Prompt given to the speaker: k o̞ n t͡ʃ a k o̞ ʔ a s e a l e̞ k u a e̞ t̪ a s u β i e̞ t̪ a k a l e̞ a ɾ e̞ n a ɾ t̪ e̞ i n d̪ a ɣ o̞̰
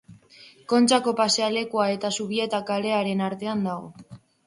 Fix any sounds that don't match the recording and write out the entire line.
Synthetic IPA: k o̞ n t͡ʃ a k o̞ p a s e a l e̞ k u a e̞ t̪ a s u β i e̞ t̪ a k a l e̞ a ɾ e̞ n a ɾ t̪ e̞ a n d̪ a ɣ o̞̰